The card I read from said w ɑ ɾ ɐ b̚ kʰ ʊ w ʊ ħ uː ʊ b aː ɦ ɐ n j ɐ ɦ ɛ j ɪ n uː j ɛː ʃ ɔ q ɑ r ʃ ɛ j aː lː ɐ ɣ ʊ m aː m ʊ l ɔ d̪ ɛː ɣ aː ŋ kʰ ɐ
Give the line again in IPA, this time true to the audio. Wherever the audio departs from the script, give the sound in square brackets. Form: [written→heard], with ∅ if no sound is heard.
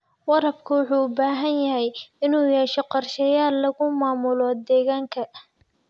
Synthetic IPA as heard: w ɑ ɾ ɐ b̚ kʰ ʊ w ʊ ħ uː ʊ b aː ɦ ɐ n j ɐ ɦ ɛ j ɪ n uː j ɛː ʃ ɔ q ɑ r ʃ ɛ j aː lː ɐ ɣ ʊ m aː m ʊ l ɔ d̪ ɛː ɣ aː ŋ kʰ ɐ